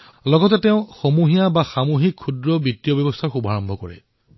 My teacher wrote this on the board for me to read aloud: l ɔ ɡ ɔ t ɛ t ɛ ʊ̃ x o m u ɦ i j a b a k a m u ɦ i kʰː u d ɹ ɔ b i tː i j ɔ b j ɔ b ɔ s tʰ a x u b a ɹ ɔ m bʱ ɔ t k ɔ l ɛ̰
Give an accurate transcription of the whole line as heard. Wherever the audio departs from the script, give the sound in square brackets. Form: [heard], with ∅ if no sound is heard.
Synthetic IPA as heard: l ɔ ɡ ɔ t ɛ t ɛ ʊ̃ x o m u ɦ i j a b a [x] a m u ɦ i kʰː u d ɹ ɔ b i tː i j ɔ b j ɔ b ɔ s tʰ a x u b a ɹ ɔ m bʱ ɔ [∅] k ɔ [ɹ] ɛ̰

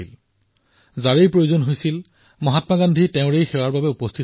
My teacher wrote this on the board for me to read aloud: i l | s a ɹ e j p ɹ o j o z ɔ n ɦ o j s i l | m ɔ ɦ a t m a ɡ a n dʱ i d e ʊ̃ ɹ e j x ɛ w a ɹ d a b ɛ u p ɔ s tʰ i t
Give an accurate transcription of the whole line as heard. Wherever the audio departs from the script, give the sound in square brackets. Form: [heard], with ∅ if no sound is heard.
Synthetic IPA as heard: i l | [z] a ɹ e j p ɹ o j o z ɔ n ɦ o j s i l | m ɔ ɦ a t m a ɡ a n dʱ i [t] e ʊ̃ ɹ e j x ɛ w a ɹ [b] a b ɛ u p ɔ s tʰ i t

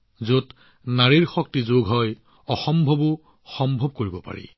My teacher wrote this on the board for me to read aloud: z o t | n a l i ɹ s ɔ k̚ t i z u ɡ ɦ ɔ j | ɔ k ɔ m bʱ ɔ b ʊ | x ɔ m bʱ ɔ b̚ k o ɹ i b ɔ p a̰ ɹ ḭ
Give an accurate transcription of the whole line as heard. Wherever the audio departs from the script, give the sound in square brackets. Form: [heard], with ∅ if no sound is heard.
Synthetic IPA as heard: z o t | n a [ɹ] i ɹ [x] ɔ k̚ t i z [o] ɡ ɦ ɔ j | ɔ [x] ɔ m bʱ ɔ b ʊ | x ɔ m bʱ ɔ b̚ k o ɹ i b ɔ p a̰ ɹ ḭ

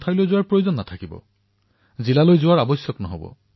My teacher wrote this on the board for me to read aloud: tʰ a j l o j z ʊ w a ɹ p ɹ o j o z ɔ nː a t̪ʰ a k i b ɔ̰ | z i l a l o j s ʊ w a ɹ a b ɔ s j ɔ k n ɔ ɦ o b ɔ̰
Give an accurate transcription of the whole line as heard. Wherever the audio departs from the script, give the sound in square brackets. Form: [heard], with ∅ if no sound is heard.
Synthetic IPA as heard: tʰ a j l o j z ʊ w a ɹ p ɹ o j o z ɔ nː a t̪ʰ a k i b ɔ̰ | z i l a l o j [z] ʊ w a ɹ a b ɔ s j ɔ k n ɔ ɦ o b ɔ̰

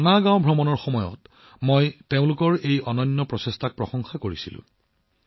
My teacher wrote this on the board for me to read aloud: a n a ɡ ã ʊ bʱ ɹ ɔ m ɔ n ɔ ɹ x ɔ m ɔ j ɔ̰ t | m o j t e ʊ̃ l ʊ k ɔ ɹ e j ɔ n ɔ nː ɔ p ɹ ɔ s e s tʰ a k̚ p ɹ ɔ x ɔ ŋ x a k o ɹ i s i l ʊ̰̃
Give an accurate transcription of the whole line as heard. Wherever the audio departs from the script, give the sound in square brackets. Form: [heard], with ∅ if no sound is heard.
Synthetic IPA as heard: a n a ɡ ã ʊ bʱ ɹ ɔ m ɔ n ɔ ɹ x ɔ m ɔ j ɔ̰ t | m o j t e ʊ̃ l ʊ k ɔ ɹ e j ɔ n ɔ nː ɔ p ɹ ɔ s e s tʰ a k̚ p ɹ ɔ x ɔ ŋ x a k o ɹ i s i l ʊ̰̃

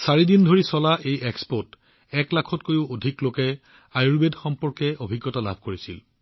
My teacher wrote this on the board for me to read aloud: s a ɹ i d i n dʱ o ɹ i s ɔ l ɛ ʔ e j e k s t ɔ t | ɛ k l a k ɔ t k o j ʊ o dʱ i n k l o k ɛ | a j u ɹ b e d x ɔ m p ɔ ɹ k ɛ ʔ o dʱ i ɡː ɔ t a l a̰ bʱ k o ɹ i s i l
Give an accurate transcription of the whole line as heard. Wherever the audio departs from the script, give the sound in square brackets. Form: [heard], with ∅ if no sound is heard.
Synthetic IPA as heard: s a ɹ i d i n dʱ o ɹ i s ɔ l [a] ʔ e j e k s [p] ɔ t | ɛ k l a [kʰ] ɔ t k o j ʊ o dʱ i [∅] k l o k ɛ | a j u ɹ b e d x ɔ m p ɔ ɹ k ɛ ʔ o [bʱ] i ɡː ɔ t a l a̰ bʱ k o ɹ i s i l

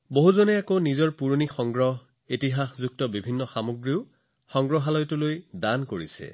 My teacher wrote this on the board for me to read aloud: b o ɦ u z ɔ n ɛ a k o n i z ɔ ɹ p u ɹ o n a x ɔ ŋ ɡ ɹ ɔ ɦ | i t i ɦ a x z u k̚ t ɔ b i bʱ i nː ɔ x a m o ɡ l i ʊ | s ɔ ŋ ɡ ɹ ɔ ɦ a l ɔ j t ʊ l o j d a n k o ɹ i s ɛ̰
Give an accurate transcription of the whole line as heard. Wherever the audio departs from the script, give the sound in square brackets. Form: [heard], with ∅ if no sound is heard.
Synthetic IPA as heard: b o ɦ u z ɔ n ɛ a k o n i z ɔ ɹ p u ɹ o n [i] x ɔ ŋ ɡ ɹ ɔ ɦ | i t i ɦ a x z u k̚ t ɔ b i bʱ i nː ɔ x a m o ɡ [ɹ] i ʊ | [x] ɔ ŋ ɡ ɹ ɔ ɦ a l ɔ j t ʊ l o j d a n k o ɹ i s ɛ̰

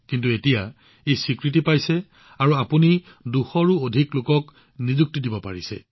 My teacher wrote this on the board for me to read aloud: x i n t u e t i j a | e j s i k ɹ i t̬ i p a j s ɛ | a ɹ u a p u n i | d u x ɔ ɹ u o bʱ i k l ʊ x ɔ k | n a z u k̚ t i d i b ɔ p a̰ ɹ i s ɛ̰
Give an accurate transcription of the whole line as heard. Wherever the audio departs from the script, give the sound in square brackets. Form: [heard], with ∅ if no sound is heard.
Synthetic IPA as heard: [k] i n t u e t i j a | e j s i k ɹ i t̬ i p a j s ɛ | a ɹ u a p u n i | d u x ɔ ɹ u o [dʱ] i k l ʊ [k] ɔ k | n [i] z u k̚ t i d i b ɔ p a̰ ɹ i s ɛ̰

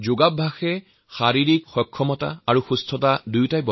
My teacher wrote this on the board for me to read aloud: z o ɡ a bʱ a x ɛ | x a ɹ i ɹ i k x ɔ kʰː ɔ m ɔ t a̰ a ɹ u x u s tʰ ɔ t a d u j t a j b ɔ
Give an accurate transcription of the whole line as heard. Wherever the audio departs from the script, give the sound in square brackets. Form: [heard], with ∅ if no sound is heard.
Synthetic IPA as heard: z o ɡ a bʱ a x ɛ | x a ɹ i ɹ i k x ɔ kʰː ɔ m ɔ t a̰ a ɹ u x u s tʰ ɔ t a d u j t a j b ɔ

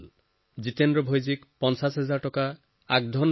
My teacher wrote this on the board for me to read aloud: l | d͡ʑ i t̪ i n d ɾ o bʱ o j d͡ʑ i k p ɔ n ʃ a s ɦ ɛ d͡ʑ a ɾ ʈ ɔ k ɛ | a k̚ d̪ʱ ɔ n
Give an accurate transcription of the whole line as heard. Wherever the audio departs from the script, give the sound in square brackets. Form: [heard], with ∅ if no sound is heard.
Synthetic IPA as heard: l | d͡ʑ i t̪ [e] n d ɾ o bʱ o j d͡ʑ i k p ɔ n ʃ a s ɦ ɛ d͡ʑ a ɾ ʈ ɔ k [a] | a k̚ d̪ʱ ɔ n

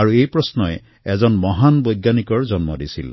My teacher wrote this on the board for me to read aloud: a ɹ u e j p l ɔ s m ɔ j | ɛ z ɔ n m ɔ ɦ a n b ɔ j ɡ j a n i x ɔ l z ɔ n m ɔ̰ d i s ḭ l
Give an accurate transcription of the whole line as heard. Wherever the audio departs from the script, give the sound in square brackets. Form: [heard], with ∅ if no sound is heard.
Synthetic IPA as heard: a ɹ u e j p [ɹ] ɔ s [n] ɔ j | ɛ z ɔ n m ɔ ɦ a n b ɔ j ɡ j a n i [k] ɔ [ɹ] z ɔ n m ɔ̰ d i s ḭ l

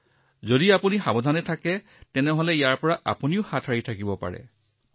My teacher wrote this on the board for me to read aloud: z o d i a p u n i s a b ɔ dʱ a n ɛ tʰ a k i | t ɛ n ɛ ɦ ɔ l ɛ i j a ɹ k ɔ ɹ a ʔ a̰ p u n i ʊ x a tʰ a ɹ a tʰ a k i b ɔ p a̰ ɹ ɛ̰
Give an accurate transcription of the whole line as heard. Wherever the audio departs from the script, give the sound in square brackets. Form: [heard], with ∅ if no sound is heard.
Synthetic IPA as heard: z o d i a p u n i [x] a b ɔ dʱ a n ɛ tʰ a k [ɛ] | t ɛ n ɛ ɦ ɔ l ɛ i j a ɹ [p] ɔ ɹ a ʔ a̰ p u n i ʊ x a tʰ a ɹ [i] tʰ a k i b ɔ p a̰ ɹ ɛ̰

